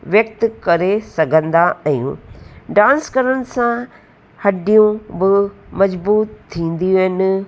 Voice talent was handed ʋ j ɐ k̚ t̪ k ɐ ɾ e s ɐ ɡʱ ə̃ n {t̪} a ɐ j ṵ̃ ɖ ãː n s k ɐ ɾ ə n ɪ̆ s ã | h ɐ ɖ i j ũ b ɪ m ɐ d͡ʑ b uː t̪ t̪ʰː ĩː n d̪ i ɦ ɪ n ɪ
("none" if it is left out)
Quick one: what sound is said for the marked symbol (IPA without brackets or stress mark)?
d̪